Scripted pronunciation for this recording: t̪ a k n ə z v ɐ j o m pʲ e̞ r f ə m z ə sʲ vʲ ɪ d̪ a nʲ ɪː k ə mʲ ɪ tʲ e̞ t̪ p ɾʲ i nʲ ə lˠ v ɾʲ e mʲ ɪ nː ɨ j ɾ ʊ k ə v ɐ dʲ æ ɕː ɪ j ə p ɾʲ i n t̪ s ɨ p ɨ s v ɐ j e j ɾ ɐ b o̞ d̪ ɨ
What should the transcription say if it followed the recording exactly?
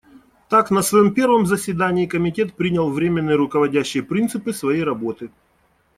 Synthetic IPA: t̪ a k n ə s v ɐ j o m pʲ e̞ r v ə m z ə sʲ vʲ ɪ d̪ a nʲ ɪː k ə mʲ ɪ tʲ e̞ t̪ p ɾʲ i nʲ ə lˠ v ɾʲ e mʲ ɪ nː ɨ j ɾ ʊ k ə v ɐ dʲ æ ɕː ɪ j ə p ɾʲ i n t̪ s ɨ p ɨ s v ɐ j e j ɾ ɐ b o̞ t̪ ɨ